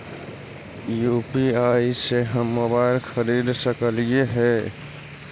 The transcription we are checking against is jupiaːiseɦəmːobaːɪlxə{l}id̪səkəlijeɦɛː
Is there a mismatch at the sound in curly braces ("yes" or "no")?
yes